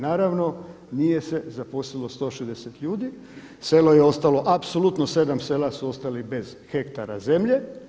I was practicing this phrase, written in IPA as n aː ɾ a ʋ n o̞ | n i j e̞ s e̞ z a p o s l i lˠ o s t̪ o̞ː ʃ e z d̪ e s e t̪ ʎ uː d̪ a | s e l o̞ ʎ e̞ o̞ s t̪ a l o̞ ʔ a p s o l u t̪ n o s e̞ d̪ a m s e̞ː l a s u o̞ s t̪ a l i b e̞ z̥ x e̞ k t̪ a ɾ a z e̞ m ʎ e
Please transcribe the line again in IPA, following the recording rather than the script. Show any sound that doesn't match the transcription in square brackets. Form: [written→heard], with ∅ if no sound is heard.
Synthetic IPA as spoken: n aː ɾ a ʋ n o̞ | n i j e̞ s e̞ z a p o s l i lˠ o s t̪ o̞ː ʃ e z d̪ e s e t̪ ʎ uː d̪ [a→i] | s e l o̞ [ʎ→j] e̞ o̞ s t̪ a l o̞ ʔ a p s o l u t̪ n o s e̞ d̪ a m s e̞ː l a s u o̞ s t̪ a l i b e̞ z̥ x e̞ k t̪ a ɾ a z e̞ m ʎ e